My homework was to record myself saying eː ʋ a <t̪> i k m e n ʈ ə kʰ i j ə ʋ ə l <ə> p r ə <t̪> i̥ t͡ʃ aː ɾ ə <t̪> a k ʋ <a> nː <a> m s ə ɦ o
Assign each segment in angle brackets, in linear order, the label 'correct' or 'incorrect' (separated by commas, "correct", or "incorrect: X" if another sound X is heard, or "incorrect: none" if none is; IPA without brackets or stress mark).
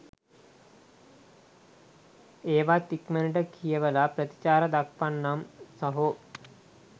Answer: correct, incorrect: a, correct, incorrect: d̪, correct, correct